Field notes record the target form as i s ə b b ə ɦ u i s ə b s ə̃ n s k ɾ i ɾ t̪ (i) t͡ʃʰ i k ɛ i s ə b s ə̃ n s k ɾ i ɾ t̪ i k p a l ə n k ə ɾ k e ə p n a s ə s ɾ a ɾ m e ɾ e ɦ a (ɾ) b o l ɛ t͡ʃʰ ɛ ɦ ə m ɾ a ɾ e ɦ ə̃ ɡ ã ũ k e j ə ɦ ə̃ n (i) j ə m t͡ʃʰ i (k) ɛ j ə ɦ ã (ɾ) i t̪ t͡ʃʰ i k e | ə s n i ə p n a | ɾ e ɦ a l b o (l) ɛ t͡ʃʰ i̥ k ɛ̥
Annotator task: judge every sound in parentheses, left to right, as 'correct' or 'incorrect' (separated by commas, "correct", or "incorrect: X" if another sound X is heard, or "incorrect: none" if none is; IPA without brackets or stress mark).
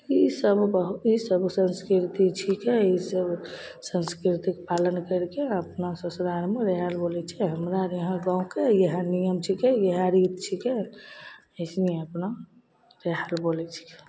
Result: correct, incorrect: l, correct, correct, correct, correct